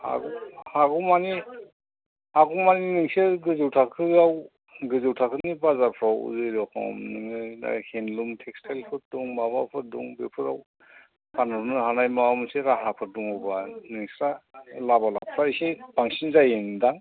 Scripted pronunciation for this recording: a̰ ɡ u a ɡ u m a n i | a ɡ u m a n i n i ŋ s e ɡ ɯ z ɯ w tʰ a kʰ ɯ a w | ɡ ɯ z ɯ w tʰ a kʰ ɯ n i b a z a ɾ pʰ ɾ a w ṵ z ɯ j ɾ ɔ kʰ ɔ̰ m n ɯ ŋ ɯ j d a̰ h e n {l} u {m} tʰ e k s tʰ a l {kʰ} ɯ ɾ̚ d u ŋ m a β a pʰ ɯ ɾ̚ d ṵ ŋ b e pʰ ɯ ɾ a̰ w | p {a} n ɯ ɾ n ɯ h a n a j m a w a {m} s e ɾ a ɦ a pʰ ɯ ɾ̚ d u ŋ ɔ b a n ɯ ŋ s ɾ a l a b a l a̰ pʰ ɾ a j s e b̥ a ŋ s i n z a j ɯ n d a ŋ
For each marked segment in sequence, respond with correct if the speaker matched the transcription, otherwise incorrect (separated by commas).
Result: correct, correct, incorrect, correct, correct